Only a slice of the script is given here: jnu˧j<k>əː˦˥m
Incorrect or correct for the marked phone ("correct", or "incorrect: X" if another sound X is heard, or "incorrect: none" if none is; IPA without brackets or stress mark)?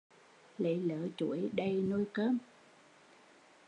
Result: correct